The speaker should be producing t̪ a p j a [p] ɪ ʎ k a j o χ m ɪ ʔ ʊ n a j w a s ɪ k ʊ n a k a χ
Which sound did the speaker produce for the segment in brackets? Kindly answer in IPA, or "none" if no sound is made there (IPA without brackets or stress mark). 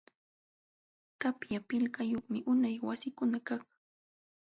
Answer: p